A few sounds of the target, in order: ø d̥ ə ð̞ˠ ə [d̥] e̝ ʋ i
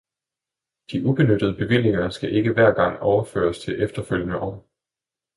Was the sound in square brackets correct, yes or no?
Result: no